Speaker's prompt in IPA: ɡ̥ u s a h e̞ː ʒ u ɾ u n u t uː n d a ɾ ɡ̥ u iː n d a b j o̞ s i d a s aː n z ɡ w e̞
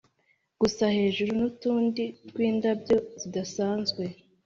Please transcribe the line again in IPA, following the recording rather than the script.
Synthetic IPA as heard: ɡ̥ u s a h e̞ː ʒ u ɾ u n u t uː n d i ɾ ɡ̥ w iː n d a b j o̞ z i d a s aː n z ɡ w e̞